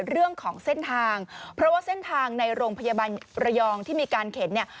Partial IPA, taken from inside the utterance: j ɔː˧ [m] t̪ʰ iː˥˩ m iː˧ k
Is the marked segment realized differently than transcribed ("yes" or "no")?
yes